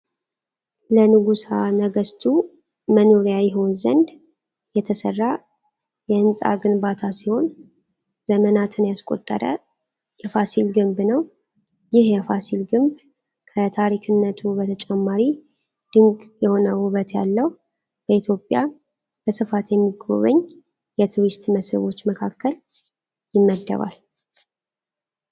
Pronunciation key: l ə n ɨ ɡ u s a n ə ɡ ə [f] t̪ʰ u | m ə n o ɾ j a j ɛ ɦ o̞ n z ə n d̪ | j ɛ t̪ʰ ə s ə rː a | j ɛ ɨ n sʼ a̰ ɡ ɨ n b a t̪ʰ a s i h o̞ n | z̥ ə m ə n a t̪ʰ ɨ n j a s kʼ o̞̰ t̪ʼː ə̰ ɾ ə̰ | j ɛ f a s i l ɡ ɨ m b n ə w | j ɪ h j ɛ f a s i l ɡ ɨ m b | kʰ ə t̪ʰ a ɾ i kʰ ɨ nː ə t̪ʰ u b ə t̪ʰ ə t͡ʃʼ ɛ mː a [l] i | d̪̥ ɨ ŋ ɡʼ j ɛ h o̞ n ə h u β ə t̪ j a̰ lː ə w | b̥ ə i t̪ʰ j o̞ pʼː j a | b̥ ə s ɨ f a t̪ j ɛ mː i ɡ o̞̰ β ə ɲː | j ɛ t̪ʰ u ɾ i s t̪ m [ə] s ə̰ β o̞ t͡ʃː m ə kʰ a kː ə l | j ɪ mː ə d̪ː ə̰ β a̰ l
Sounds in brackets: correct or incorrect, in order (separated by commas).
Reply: incorrect, incorrect, correct